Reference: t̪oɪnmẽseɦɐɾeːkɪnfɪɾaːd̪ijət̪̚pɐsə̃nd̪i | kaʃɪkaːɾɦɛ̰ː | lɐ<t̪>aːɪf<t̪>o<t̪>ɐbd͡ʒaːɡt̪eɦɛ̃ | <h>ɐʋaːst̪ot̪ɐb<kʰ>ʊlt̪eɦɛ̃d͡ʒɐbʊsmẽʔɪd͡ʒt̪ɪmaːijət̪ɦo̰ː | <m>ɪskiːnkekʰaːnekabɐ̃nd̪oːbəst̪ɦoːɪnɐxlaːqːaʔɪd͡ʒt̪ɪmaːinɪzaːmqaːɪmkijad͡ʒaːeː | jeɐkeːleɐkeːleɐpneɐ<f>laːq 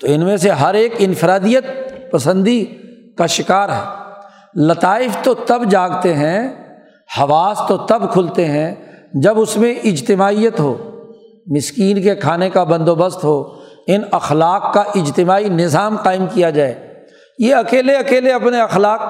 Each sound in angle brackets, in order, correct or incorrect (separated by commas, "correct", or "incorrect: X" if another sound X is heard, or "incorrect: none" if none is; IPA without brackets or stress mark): correct, correct, correct, correct, correct, correct, incorrect: x